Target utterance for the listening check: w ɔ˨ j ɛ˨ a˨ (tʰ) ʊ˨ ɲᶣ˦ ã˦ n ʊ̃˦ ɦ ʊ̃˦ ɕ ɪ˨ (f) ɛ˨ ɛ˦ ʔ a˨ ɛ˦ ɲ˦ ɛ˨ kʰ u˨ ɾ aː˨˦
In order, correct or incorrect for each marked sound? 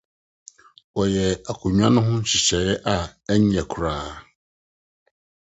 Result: incorrect: kʰ, incorrect: ɕ

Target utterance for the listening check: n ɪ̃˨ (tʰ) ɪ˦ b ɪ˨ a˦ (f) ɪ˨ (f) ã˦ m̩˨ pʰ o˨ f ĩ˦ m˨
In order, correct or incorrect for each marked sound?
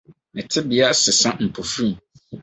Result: correct, incorrect: s, incorrect: s

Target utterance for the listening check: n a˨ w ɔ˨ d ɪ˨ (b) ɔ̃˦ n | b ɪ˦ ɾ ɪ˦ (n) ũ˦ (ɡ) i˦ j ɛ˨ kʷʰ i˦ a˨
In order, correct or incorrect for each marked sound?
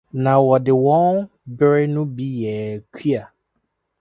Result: incorrect: w, correct, incorrect: b

